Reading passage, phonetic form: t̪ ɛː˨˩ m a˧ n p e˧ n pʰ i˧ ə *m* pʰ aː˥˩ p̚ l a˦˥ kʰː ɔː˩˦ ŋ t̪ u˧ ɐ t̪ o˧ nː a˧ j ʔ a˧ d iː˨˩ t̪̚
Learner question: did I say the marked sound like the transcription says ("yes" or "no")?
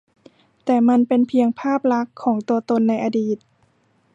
no